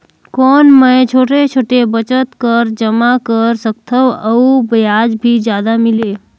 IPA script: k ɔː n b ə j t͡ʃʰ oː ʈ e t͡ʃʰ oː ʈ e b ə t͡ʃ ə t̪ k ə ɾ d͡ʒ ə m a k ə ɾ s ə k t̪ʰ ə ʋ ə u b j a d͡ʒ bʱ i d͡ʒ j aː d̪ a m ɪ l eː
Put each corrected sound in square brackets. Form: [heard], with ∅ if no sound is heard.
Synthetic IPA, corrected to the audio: k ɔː n [m] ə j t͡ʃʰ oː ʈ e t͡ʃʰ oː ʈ e b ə t͡ʃ ə t̪ k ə ɾ d͡ʒ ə m a k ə ɾ s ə k t̪ʰ ə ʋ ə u b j a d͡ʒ bʱ i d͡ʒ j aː d̪ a m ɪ l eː